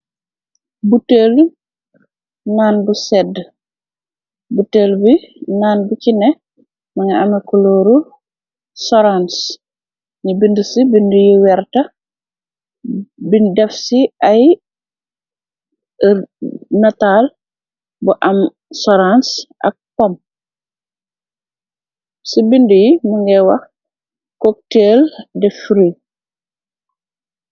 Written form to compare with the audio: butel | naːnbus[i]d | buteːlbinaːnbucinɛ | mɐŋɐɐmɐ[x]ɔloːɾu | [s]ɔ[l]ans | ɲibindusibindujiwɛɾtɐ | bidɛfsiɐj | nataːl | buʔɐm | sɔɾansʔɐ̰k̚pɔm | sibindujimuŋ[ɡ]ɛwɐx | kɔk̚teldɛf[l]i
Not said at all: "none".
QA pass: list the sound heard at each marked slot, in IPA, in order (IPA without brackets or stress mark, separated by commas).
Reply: ɛ, k, s, ɾ, ɡ, ɾ